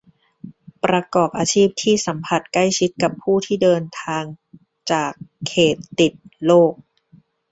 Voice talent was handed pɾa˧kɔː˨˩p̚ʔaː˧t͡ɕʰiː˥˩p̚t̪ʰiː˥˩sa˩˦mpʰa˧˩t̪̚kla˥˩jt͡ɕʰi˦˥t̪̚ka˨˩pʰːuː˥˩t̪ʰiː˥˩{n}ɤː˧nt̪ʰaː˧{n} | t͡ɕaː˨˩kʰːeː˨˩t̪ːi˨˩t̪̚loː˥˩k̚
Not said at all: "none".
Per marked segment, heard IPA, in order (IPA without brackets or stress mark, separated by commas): d, ŋ